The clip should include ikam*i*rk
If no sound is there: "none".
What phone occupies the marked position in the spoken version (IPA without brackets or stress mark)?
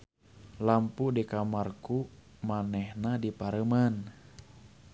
a